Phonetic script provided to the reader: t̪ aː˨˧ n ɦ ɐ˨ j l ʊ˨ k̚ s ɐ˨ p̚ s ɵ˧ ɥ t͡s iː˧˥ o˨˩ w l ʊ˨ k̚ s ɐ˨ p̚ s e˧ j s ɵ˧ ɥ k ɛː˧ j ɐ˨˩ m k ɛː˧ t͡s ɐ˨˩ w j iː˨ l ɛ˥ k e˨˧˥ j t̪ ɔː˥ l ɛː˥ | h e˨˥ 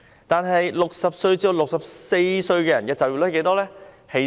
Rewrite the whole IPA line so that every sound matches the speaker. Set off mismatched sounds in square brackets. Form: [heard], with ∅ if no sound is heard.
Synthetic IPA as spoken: t̪ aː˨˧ n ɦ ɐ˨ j l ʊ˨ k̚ s ɐ˨ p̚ s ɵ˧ ɥ t͡s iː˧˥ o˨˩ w l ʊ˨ k̚ s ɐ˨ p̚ s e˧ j s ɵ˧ ɥ k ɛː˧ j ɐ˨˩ [n] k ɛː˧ t͡s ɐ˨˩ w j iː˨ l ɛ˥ k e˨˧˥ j t̪ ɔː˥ l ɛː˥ | h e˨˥